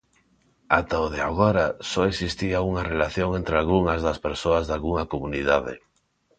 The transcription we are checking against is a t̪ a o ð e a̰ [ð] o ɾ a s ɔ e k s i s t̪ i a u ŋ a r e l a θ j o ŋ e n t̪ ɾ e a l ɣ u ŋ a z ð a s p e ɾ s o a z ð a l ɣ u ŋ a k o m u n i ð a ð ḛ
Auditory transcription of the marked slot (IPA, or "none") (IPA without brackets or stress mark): ɣ